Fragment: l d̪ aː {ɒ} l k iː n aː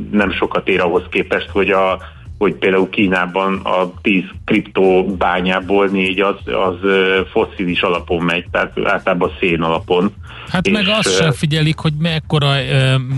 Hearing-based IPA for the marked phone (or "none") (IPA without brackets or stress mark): u